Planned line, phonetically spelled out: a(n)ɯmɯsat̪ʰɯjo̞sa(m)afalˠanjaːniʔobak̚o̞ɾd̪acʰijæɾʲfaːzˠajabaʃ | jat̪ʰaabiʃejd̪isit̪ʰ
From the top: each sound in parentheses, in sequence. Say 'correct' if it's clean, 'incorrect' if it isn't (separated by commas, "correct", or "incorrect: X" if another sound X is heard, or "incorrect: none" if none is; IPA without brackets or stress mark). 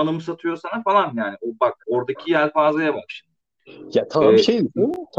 correct, incorrect: n